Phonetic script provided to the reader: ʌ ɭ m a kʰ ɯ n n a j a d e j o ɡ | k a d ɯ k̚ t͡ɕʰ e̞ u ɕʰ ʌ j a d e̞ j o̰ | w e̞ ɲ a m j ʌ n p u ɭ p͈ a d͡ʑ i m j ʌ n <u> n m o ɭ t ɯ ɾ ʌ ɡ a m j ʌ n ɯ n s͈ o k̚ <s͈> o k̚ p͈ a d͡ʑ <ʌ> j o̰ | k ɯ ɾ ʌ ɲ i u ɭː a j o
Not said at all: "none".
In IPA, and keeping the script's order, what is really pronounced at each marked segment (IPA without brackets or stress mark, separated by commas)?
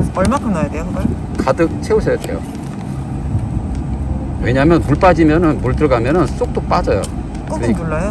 ɯ, t͈, ʌ